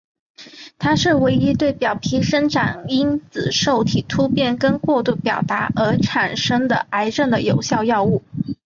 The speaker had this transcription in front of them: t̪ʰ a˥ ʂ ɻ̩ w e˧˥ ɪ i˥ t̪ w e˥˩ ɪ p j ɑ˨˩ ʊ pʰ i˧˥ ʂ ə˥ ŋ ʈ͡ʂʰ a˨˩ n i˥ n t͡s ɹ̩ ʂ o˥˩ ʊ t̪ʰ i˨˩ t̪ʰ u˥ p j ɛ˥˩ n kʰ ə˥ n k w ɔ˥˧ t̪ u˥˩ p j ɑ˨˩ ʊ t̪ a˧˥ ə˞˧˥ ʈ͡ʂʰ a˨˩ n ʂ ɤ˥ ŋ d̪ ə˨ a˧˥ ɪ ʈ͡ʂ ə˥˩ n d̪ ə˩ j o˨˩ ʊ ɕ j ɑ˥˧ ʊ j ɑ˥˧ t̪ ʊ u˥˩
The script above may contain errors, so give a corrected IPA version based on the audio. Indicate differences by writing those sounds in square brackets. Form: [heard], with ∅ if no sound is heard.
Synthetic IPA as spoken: t̪ʰ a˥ ʂ ɻ̩ w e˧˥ ɪ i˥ t̪ w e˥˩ ɪ p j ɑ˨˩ ʊ pʰ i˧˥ ʂ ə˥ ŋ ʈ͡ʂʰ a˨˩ n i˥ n t͡s ɹ̩ ʂ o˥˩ ʊ t̪ʰ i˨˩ t̪ʰ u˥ p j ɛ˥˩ n [k] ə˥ n k w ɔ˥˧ t̪ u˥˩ p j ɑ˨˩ ʊ t̪ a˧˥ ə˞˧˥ ʈ͡ʂʰ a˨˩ n ʂ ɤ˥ ŋ d̪ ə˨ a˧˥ ɪ ʈ͡ʂ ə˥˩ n d̪ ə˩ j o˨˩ ʊ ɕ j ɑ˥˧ ʊ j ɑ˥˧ [∅] ʊ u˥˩